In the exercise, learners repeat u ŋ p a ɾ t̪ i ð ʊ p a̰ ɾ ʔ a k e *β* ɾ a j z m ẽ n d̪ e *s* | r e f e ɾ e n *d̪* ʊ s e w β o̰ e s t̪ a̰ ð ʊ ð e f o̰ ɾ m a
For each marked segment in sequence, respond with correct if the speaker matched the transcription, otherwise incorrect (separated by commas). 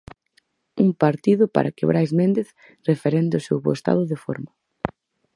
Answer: correct, incorrect, correct